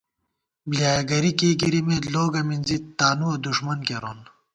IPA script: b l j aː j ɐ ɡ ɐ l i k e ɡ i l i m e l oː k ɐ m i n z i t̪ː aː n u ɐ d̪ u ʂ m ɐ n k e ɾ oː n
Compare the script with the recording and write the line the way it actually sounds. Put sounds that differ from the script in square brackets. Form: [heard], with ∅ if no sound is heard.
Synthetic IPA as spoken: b l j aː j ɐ ɡ ɐ [ɾ] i k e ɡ i [ɾ] i m e l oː [ɡ] ɐ m i n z i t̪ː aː n u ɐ d̪ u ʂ m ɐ n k e ɾ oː n